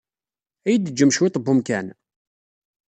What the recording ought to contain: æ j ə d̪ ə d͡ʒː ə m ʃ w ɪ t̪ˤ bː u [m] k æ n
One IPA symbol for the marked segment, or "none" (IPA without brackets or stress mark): m